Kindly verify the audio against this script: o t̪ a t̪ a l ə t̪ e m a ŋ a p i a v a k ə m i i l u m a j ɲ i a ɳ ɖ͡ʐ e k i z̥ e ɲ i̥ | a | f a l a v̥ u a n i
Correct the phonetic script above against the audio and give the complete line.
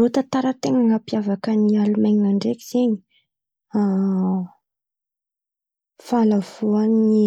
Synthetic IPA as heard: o t̪ a t̪ a ɾ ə t̪ e ŋ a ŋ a p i a v a k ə n i a l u m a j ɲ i a ɳ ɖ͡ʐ e k i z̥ e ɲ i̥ | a | f a l a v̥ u a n i

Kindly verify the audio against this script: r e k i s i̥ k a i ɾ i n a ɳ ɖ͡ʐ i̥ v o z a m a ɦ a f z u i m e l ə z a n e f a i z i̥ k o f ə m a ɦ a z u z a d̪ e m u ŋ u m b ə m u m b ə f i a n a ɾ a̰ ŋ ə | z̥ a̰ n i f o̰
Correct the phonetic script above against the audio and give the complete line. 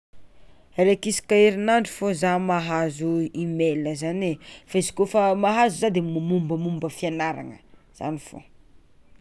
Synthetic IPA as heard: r e k i s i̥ k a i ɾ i n a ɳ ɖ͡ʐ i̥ f o z a m a ɦ a z u i m e l ə z a n e f a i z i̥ k o f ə m a ɦ a z u z a d̪ e m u m u m b ə m u m b ə f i a n a ɾ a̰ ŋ ə | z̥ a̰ n i f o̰

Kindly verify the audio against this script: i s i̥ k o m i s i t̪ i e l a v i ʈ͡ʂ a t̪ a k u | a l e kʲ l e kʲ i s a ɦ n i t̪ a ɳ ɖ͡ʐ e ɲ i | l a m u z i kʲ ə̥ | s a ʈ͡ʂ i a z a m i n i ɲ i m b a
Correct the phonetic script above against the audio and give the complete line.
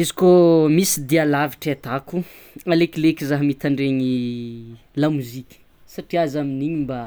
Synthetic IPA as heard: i z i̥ k o m i s i d̪ i a l a v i ʈ͡ʂ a t̪ a k u | a l e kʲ l e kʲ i z a ɦ m i t̪ a ɳ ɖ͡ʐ e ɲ i | l a m u z i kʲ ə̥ | s a ʈ͡ʂ i a z a m i n i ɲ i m b a

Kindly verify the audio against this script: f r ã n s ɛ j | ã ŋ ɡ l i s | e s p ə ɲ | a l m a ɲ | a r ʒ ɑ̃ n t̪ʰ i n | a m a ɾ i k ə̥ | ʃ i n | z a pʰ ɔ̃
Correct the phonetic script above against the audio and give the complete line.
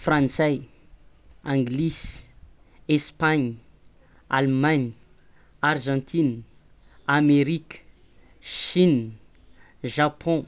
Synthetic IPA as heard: f r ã n s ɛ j | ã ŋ ɡ l i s | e s p a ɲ | a l m a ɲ | a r ʒ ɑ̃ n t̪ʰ i n | a m e ɾ i k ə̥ | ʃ i n | ʒ a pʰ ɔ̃

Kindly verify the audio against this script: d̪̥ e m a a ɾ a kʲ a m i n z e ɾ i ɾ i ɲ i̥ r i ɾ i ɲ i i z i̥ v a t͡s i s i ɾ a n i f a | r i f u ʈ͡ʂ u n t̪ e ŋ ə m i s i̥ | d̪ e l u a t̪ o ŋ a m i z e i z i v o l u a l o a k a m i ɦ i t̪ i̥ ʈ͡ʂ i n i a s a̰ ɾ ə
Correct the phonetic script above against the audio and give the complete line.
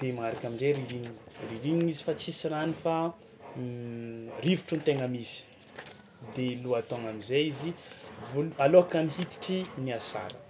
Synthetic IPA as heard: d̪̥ e m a a ɾ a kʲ a m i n z e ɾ i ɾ i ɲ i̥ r i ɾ i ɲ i i z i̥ f a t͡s i s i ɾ a n i f a | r i v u ʈ͡ʂ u n t̪ e ŋ ə m i s i̥ | d̪ e l u a t̪ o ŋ a m i z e i z i v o l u a l o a k a m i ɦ i t̪ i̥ ʈ͡ʂ i n i a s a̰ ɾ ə

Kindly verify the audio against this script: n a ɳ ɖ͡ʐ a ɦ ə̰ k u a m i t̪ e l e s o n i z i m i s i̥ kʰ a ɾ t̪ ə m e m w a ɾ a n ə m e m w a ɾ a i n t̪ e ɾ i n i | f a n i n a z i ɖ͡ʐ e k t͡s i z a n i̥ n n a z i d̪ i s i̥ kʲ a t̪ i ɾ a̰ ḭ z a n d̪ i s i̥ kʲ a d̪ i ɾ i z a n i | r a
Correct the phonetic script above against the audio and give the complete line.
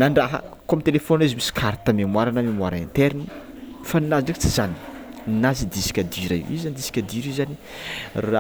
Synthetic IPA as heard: n a ɳ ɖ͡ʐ a ɦ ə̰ k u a m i t̪ e l e f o n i z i m i s i̥ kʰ a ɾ t̪ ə m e m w a ɾ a n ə m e m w a ɾ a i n t̪ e ɾ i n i | f a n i n a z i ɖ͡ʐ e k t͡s i z a n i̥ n n a z i d̪ i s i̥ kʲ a d̪ i ɾ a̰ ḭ z a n d̪ i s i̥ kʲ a d̪ i ɾ i z a n i | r a

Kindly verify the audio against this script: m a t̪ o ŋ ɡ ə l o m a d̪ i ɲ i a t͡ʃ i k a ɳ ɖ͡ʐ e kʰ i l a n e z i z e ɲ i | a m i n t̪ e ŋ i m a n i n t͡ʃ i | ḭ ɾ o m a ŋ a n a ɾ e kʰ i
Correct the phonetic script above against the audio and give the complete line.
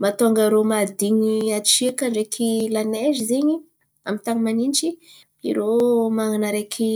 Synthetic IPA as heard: m a t̪ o ŋ ɡ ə ɾ o m a d̪ i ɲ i a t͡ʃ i k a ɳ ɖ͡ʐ e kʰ i l a n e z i z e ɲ i | a m i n t̪ a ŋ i m a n i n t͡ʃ i | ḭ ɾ o m a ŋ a n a ɾ e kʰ i

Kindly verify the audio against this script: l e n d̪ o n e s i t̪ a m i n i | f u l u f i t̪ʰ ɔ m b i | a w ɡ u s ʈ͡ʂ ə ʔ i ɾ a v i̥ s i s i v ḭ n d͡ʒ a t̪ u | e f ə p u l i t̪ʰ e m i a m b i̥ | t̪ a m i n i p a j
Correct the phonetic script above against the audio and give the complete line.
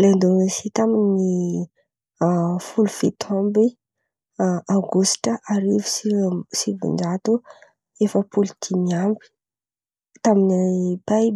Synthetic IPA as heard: l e n d̪ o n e s i t̪ a m i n i | f u l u f i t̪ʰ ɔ m b i | a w ɡ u s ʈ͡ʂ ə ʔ a ɾ i v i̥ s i s i v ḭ n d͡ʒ a t̪ u | e f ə p u l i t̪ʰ i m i a m b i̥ | t̪ a m i n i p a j

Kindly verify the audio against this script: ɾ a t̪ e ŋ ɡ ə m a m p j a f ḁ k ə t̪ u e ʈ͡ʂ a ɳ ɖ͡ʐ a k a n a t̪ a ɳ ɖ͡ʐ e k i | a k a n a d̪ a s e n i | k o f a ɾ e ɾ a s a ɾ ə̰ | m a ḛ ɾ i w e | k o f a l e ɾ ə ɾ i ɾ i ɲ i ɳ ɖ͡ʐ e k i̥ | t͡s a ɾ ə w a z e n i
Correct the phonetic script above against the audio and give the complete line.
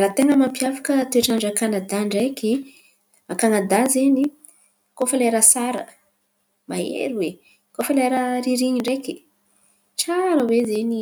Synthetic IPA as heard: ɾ a t̪ e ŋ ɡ ə m a m p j a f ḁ k ə t̪ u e ʈ͡ʂ a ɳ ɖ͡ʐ a k a n a d̪ a ɳ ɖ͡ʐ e k i | a k a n a d̪ a z e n i | k o f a l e ɾ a s a ɾ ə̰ | m a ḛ ɾ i w e | k o f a l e ɾ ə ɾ i ɾ i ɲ i ɳ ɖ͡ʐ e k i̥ | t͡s a ɾ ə w e z e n i

